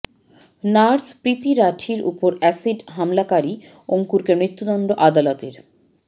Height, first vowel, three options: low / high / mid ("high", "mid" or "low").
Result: low